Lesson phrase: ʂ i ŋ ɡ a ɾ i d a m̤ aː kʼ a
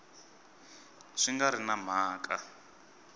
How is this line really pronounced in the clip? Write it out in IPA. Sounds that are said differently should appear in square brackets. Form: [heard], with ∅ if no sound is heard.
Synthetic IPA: ʂ i ŋ ɡ a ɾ i [n] a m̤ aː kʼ a